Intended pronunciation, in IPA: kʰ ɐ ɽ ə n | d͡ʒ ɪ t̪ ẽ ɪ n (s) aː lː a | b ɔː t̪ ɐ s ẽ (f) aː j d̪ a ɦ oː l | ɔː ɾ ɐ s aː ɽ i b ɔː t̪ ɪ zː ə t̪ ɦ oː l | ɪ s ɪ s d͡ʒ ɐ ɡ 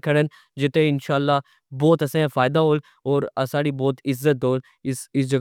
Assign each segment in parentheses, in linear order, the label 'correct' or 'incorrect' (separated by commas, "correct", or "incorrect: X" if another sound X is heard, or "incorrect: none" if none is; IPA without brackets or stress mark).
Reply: incorrect: ʃ, correct